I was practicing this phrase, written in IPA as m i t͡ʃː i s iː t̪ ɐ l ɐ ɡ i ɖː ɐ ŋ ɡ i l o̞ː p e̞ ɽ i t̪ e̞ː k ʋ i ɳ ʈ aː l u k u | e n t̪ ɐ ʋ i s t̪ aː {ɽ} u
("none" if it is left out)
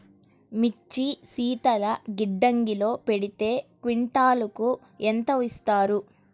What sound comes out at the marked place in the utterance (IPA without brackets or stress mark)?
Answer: ɾ